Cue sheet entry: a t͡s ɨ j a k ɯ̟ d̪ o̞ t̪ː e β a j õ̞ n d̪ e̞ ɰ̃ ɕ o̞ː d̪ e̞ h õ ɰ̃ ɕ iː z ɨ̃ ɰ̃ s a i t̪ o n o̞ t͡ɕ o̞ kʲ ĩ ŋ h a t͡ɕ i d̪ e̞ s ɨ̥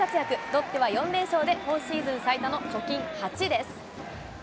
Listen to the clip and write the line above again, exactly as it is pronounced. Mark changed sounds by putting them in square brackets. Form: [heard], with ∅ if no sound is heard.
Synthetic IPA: a t͡s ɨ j a k ɯ̟ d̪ o̞ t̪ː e β a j õ̞ n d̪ e̞ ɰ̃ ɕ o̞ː d̪ e̞ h õ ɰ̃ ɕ iː z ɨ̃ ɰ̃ s a i t̪ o n o̞ t͡ɕ o̞ kʲ ĩ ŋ h a t͡ɕ i d̪ e̞ s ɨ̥